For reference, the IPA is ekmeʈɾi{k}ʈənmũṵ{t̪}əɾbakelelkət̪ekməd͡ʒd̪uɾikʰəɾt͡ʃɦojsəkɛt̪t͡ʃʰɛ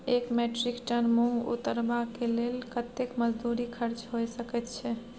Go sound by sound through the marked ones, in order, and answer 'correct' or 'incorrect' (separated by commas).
correct, correct